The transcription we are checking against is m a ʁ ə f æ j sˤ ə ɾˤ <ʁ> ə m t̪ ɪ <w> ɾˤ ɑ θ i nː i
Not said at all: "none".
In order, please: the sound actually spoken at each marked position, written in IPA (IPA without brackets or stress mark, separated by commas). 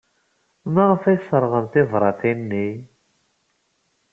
ʁ, v